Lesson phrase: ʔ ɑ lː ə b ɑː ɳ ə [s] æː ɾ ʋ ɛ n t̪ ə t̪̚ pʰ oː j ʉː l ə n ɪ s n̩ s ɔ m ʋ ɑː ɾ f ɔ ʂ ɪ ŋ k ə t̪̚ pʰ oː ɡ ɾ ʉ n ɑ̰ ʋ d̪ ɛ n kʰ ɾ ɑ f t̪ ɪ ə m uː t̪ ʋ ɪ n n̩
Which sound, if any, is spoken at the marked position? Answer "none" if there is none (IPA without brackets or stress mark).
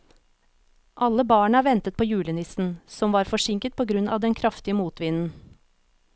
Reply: none